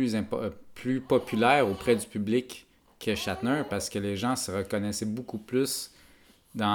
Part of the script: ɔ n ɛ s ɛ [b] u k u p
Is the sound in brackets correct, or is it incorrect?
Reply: correct